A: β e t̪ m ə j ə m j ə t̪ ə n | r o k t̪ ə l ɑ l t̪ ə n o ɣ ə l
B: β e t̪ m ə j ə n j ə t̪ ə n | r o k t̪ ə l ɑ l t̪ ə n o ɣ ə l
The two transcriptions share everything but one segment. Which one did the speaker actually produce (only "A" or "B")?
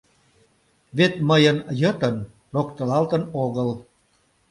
B